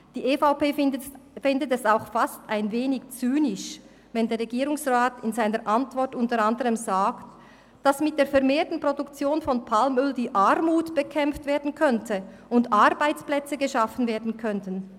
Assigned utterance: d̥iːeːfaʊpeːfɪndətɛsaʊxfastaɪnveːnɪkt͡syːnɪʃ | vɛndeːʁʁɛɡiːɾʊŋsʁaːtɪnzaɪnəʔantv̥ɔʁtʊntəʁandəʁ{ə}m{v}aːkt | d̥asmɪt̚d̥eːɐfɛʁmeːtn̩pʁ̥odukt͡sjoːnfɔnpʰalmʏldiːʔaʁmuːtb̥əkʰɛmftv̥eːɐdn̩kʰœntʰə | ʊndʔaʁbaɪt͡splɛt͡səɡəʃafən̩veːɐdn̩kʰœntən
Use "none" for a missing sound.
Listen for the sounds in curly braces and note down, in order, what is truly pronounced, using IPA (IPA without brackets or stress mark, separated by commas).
ə, z